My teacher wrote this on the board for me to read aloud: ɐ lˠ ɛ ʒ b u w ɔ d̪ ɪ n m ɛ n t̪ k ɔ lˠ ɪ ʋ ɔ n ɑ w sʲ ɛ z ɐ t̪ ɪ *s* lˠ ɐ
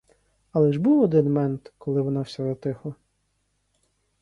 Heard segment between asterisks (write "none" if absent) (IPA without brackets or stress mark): x